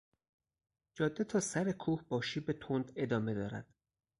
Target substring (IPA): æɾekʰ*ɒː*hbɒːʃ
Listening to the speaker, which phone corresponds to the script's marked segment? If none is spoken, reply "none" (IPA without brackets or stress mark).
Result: uː